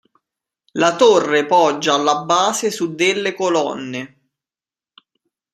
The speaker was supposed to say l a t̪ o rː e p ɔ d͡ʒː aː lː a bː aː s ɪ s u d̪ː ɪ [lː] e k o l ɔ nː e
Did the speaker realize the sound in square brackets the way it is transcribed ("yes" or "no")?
yes